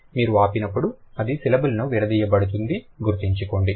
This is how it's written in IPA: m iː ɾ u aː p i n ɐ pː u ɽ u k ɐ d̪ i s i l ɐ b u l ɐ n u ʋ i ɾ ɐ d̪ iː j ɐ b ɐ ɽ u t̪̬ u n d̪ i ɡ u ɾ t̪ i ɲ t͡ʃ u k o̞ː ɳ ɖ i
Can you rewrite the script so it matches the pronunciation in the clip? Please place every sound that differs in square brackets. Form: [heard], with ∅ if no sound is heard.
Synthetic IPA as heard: m iː ɾ u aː p i n ɐ pː u ɽ u [∅] ɐ d̪ i s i l ɐ b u l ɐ n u ʋ i ɾ ɐ d̪ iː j ɐ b ɐ ɽ u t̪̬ u n d̪ i ɡ u ɾ t̪ i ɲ t͡ʃ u k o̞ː ɳ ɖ i